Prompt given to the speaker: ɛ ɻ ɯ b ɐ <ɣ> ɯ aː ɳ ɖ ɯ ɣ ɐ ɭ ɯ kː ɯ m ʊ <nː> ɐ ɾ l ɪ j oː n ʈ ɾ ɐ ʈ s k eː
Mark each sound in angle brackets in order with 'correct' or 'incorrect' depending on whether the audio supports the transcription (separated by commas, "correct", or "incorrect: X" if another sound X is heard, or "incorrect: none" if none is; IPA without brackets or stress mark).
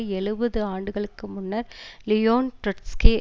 incorrect: ð, correct